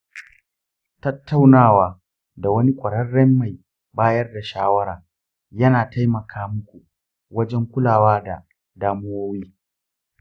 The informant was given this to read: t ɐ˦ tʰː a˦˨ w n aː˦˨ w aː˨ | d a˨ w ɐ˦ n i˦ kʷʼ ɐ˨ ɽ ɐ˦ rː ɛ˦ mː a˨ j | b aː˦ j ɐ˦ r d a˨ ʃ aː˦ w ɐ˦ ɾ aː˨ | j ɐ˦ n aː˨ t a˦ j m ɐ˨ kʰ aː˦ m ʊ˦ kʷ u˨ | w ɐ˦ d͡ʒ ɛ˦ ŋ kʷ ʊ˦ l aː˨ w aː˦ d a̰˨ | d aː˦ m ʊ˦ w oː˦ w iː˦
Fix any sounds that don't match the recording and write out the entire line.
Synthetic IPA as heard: t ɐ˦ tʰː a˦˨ w n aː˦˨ w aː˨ | d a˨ w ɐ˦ n i˦ kʷʼ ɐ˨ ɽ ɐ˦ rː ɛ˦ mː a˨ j | b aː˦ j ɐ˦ r d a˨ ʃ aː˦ w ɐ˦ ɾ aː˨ | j ɐ˦ n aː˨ t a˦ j m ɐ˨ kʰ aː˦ m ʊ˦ kʷ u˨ | w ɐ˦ d͡ʒ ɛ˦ ŋ kʷ ʊ˦ l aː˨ w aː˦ d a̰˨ | d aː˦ m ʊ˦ w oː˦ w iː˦